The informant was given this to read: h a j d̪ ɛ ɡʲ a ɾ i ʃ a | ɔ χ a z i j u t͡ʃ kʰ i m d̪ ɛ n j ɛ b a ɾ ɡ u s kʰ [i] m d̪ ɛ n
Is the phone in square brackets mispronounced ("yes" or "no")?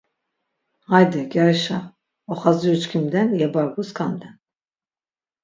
yes